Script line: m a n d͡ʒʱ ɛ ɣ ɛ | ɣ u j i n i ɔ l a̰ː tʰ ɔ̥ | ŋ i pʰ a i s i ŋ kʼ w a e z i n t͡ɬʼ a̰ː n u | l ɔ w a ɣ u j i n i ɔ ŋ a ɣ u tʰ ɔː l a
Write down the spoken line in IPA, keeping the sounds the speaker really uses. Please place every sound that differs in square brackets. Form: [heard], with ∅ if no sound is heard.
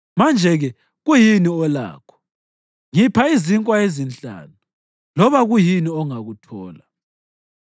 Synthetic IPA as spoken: m a n d͡ʒʱ ɛ ɣ ɛ | ɣ u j i n i ɔ l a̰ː [kʰ] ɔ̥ | ŋ i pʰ a i [z] i ŋ kʼ w a e z i n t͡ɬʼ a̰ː n u | l ɔ [β] a ɣ u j i n i ɔ ŋ a ɣ u tʰ ɔː l a